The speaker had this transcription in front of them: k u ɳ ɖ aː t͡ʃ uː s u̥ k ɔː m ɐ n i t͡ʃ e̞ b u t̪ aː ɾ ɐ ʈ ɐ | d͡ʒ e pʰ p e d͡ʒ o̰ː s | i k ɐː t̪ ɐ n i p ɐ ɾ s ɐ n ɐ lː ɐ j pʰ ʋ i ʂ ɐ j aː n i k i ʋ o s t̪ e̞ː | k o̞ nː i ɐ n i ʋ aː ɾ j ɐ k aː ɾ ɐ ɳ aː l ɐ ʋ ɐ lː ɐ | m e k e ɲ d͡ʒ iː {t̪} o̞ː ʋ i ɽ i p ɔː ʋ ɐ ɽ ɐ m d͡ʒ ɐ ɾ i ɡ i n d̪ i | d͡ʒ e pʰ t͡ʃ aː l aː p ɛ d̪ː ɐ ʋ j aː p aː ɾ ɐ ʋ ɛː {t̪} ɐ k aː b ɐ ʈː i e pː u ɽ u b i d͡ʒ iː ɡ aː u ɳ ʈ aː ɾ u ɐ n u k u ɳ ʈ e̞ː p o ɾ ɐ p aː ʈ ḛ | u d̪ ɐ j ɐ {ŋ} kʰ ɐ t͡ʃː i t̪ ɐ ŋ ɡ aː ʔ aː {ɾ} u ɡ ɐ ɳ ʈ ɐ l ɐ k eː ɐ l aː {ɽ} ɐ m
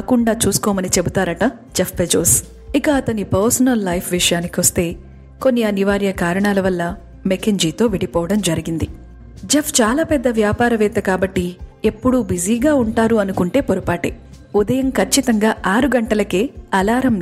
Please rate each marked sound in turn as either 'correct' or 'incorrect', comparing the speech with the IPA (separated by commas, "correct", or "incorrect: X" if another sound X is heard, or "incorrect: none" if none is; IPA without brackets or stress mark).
correct, correct, incorrect: m, correct, incorrect: ɾ